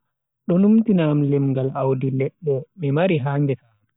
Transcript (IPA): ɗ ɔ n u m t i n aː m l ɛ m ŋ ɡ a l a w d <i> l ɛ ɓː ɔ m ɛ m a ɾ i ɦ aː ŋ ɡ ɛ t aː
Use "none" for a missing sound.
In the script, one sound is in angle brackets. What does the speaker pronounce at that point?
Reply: i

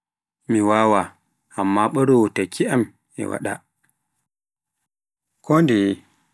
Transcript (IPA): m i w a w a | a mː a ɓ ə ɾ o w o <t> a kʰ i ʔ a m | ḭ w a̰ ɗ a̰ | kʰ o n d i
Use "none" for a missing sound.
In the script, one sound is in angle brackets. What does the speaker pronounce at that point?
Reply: t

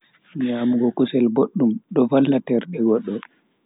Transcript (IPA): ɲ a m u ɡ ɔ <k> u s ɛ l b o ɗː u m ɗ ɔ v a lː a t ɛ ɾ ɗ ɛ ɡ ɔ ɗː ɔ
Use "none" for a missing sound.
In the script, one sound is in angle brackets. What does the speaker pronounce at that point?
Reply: k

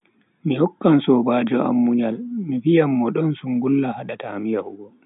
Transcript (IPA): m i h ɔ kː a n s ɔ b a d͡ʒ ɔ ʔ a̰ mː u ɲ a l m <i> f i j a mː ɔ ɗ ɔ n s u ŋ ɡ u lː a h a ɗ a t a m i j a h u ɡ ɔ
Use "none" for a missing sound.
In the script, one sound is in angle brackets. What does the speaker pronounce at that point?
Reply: i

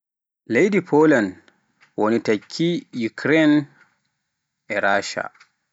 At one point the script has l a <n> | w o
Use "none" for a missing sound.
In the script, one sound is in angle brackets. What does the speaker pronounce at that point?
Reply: n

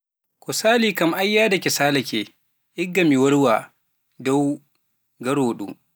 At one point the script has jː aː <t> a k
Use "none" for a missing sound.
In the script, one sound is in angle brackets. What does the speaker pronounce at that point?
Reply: d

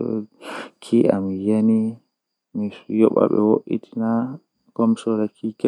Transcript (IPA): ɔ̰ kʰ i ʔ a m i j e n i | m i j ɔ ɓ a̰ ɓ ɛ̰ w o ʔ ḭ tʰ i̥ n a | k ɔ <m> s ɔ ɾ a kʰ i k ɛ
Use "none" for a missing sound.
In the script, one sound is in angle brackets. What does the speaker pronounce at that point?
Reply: m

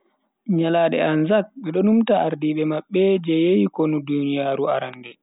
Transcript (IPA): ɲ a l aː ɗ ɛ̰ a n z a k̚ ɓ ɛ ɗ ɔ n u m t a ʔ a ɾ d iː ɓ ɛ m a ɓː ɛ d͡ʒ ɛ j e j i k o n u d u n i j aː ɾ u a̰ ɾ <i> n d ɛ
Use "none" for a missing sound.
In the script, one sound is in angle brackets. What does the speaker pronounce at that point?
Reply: a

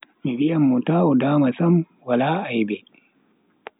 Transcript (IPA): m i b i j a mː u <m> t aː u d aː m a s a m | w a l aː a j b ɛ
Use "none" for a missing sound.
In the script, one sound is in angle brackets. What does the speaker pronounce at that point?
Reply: none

